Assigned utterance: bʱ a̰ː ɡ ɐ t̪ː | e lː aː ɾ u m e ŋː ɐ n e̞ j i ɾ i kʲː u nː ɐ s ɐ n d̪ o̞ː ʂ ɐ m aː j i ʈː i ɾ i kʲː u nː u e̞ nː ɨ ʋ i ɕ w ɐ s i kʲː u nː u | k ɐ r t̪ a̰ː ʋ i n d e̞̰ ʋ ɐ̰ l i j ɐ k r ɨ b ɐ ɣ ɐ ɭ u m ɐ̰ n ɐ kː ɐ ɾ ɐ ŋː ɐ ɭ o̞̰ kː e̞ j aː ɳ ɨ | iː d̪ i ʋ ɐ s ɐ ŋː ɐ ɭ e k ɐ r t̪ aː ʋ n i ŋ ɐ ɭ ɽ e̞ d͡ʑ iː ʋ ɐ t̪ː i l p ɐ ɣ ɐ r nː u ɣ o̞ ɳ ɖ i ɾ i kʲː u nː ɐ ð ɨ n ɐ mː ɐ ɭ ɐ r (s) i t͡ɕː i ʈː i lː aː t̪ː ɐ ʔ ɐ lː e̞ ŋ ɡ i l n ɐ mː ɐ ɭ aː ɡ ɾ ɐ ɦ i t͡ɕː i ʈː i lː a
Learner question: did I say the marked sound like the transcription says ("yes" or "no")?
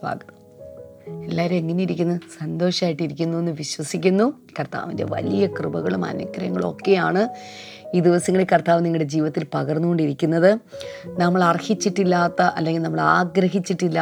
no